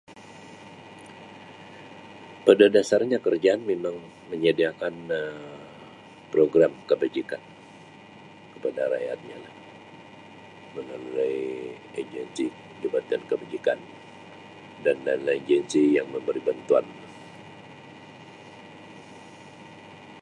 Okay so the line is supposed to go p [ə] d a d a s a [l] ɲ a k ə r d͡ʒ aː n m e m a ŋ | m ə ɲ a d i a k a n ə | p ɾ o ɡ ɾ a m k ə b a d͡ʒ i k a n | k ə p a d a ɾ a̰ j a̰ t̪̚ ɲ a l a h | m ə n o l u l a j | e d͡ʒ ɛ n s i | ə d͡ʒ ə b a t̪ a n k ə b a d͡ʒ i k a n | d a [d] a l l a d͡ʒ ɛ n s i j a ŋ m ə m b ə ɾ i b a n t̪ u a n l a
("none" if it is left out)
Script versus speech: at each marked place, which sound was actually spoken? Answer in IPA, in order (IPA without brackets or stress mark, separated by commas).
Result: ə, r, n